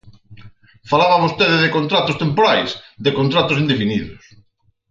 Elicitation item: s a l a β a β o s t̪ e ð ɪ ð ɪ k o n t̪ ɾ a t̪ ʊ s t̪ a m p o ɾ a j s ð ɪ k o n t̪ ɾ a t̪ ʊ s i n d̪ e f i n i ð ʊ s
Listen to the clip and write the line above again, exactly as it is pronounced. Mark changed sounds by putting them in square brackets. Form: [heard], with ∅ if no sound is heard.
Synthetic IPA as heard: [f] a l a β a β o s t̪ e ð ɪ ð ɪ k o n t̪ ɾ a t̪ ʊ s t̪ [e] m p o ɾ a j s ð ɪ k o n t̪ ɾ a t̪ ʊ s i n d̪ e f i n i ð ʊ s